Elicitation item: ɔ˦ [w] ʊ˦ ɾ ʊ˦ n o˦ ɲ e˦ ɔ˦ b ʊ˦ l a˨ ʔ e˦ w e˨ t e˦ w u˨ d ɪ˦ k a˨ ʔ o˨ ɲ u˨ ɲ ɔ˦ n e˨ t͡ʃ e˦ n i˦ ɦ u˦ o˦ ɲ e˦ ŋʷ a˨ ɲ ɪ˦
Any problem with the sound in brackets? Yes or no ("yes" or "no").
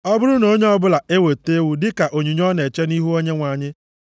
yes